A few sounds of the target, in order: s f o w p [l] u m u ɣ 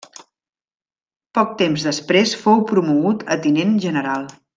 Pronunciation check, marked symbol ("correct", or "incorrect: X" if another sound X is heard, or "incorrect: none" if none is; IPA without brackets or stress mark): incorrect: ɾ